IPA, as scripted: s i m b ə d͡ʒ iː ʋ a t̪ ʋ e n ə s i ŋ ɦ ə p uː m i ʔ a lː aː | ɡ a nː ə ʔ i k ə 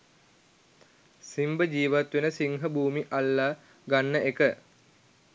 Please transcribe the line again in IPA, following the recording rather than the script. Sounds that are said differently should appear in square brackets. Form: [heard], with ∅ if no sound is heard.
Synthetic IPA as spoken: s i m b ə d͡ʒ iː ʋ a t̪ ʋ e n ə s i ŋ ɦ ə [b] uː m i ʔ a lː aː | ɡ a nː ə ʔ [e] k ə

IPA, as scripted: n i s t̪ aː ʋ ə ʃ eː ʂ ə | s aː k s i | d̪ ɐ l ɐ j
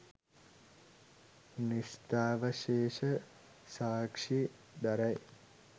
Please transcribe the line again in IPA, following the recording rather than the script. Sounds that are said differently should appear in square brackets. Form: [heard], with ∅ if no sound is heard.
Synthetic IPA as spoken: n i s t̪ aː ʋ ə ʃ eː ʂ ə | s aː k [ʂ] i | d̪ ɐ [ɾ] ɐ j

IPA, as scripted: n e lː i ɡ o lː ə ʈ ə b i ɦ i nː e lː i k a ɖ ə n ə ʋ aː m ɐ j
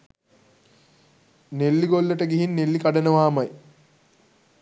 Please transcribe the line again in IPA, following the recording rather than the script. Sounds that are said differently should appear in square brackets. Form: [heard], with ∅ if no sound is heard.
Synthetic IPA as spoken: n e lː i ɡ o lː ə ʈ ə [ɡ] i ɦ i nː e lː i k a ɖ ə n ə ʋ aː m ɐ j

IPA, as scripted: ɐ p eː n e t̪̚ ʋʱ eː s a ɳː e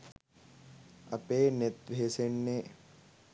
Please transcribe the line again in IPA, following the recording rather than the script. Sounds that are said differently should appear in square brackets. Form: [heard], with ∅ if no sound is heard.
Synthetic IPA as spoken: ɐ p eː n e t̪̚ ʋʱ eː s [e] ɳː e

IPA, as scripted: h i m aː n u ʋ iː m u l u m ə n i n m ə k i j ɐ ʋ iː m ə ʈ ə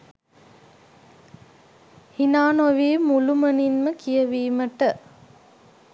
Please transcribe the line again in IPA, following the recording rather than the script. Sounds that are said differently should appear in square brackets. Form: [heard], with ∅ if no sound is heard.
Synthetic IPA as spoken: h i [n] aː n [o] ʋ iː m u l u m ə n i n m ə k i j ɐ ʋ iː m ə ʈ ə

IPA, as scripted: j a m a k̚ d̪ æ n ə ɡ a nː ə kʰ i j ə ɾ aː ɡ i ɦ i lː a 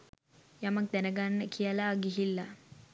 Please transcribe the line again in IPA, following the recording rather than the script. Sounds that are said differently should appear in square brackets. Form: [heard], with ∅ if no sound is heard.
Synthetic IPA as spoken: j a m a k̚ d̪ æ n ə ɡ a nː ə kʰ i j ə [l] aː ɡ i ɦ i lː a

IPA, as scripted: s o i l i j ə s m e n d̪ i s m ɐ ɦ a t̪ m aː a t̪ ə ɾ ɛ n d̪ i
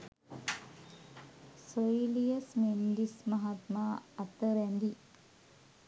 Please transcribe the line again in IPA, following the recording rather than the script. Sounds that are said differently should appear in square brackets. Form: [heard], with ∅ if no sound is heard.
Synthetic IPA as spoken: s o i l i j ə s m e n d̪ i s m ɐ ɦ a t̪ m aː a t̪ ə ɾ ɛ n d̪ i

